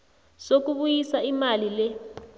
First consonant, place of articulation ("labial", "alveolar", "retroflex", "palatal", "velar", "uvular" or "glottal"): alveolar